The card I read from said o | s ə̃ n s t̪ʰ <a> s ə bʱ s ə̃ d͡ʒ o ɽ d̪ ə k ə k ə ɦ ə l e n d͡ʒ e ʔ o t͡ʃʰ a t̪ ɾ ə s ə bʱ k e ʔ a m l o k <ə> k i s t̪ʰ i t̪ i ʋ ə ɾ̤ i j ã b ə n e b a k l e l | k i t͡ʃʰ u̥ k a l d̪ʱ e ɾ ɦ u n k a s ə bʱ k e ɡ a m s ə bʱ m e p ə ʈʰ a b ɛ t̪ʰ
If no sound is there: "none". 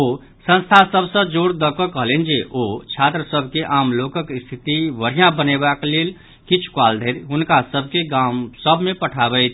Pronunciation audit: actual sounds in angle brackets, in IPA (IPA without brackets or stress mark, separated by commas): a, ə